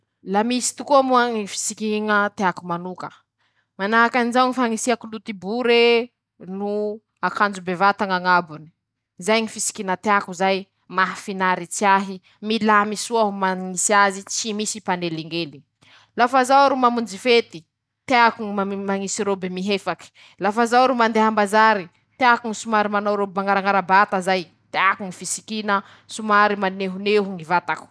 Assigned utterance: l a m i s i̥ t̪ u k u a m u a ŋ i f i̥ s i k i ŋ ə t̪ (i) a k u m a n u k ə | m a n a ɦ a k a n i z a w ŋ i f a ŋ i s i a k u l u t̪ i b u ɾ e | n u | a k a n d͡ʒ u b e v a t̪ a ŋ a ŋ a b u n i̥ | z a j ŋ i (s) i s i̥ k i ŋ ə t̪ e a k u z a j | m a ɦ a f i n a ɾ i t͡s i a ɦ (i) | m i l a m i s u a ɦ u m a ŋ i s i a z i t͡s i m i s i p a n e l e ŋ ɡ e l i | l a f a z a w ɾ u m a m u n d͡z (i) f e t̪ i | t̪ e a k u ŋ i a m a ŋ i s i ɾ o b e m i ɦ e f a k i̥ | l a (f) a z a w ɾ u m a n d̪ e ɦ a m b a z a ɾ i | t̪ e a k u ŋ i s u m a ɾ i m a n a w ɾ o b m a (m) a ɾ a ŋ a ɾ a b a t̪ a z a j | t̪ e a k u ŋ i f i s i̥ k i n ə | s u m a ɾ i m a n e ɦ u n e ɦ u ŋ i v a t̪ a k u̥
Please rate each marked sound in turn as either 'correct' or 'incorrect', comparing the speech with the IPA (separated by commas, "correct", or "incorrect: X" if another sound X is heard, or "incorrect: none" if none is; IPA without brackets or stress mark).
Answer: incorrect: e, incorrect: f, correct, correct, correct, incorrect: ŋ